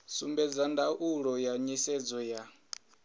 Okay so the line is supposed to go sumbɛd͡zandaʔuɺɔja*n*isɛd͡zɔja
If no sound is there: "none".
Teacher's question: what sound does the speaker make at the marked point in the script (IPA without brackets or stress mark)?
ɲ